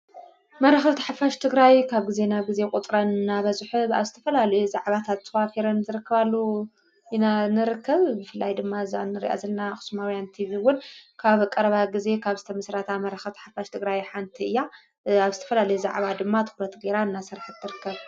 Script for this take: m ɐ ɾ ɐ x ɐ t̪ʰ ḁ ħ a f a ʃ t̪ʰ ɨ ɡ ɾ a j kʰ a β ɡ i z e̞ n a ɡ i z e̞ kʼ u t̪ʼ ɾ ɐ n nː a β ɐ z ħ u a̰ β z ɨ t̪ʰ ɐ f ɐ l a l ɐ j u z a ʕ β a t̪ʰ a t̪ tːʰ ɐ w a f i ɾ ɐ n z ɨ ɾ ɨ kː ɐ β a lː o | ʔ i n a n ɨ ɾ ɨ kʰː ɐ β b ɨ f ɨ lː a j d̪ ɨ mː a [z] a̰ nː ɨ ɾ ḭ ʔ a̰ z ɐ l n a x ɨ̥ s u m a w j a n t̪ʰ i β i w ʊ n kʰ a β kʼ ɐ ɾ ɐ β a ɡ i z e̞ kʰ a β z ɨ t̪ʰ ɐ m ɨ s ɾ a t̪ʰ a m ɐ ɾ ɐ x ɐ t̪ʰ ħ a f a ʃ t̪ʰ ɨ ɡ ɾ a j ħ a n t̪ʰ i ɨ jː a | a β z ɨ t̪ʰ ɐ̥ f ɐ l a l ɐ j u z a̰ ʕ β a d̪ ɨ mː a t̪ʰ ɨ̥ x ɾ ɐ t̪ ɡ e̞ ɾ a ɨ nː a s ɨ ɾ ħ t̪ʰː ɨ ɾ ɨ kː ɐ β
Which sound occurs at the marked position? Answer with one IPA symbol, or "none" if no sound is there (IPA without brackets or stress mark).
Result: z